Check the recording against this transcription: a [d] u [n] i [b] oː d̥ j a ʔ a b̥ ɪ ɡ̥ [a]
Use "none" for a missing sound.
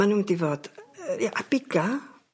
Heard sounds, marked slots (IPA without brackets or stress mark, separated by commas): n, d, v, a